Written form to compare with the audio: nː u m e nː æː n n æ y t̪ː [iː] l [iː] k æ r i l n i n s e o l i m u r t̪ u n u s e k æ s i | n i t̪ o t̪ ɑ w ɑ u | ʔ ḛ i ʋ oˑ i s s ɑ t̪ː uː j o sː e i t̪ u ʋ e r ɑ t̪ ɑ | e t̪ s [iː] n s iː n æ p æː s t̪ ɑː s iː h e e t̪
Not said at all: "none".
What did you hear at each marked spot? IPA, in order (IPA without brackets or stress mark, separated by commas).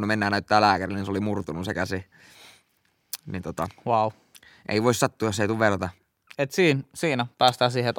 æː, æː, iː